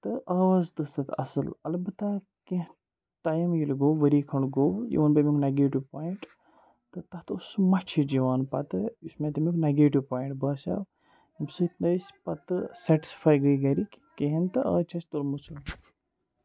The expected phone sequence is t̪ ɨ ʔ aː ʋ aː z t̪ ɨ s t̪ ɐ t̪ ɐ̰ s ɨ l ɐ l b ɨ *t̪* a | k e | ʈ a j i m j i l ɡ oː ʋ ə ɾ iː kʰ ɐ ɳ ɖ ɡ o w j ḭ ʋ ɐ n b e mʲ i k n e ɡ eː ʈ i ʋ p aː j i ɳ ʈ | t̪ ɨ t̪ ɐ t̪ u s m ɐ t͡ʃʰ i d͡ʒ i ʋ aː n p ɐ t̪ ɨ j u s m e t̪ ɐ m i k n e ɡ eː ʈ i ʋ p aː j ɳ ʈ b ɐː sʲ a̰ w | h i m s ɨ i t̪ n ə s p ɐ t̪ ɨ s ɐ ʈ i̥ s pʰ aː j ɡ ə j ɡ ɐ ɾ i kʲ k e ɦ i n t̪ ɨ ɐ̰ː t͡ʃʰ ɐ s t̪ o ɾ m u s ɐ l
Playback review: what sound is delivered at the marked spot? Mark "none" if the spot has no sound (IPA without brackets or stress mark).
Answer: t̪